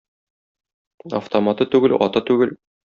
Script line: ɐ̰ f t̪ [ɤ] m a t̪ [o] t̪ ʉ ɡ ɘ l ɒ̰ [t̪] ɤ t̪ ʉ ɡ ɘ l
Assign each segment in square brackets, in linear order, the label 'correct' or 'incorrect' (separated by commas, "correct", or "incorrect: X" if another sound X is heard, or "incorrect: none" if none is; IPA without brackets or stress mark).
incorrect: o, incorrect: ɤ, correct